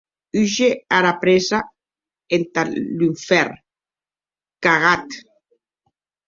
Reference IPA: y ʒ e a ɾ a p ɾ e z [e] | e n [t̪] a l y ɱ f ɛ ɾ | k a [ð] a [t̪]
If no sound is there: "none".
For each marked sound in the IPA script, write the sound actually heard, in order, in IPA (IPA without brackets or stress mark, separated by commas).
a, t̪, ɣ, t̪